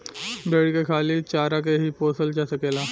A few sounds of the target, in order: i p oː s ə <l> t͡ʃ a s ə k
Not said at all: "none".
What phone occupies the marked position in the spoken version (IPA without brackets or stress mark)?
l